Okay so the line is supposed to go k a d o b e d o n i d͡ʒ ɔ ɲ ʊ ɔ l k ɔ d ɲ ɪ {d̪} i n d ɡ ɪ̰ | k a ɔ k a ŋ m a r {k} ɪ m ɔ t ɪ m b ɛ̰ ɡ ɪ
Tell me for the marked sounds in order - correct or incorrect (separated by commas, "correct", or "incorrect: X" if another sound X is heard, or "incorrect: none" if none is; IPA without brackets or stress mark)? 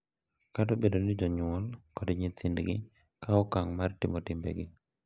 incorrect: t̪, incorrect: t